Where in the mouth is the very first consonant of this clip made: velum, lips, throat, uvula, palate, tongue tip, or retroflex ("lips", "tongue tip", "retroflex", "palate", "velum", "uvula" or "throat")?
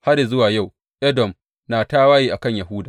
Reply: throat